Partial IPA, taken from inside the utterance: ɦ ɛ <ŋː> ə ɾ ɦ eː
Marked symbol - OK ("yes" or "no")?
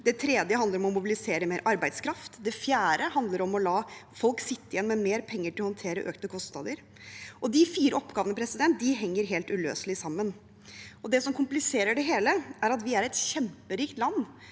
yes